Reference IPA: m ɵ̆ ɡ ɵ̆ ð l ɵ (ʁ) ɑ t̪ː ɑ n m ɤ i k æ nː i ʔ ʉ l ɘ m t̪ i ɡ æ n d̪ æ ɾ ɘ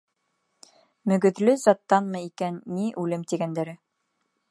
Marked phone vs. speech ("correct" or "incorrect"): incorrect